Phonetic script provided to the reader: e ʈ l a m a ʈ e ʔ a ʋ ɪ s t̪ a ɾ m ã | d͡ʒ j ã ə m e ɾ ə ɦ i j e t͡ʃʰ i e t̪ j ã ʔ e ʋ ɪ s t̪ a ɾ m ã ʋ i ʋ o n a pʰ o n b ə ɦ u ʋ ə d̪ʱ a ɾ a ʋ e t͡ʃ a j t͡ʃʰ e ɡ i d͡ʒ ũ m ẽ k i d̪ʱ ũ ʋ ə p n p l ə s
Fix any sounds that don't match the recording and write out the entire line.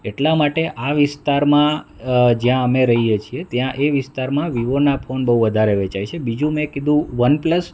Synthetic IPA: e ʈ l a m a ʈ e ʔ a ʋ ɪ s t̪ a ɾ m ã | d͡ʒ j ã ə m e ɾ ə ɦ i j e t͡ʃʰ i e t̪ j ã ʔ e ʋ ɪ s t̪ a ɾ m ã ʋ i ʋ o n a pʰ o n b ə ɦ u ʋ ə d̪ʱ a ɾ e ʋ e t͡ʃ a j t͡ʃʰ e b i d͡ʒ ũ m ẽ k i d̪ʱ ũ ʋ ə n p l ə s